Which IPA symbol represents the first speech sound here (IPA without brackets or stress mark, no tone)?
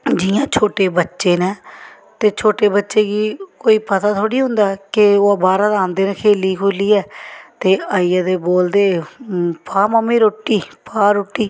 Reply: d͡ʒ